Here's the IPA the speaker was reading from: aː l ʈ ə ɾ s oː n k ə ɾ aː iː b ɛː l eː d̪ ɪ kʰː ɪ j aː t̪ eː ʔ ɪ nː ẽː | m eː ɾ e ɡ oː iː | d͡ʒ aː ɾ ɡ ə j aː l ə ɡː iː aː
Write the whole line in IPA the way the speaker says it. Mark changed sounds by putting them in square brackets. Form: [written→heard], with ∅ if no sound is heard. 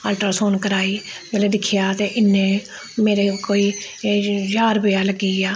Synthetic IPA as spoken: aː l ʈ ə ɾ s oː n k ə ɾ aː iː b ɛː l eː d̪ ɪ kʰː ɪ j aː t̪ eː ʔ ɪ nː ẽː | m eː ɾ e [ɡ→k] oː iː | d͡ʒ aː ɾ [ɡ→b] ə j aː l ə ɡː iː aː